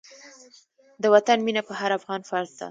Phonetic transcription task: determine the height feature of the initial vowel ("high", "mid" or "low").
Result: mid